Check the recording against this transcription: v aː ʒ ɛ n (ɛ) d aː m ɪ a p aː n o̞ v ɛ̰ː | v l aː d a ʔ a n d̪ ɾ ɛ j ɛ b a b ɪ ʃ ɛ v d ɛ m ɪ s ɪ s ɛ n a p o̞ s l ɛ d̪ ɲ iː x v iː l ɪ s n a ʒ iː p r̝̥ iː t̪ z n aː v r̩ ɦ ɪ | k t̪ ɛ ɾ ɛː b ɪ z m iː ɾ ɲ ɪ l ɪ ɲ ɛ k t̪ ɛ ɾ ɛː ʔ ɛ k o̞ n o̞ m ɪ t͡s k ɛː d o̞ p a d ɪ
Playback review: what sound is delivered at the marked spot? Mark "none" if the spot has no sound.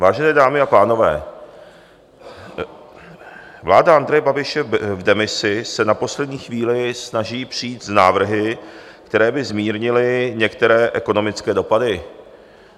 ɛː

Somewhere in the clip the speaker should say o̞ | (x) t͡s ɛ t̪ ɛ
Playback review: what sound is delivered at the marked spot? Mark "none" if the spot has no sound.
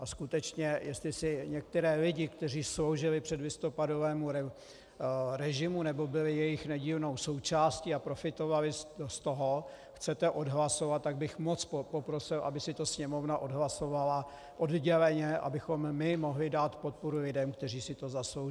x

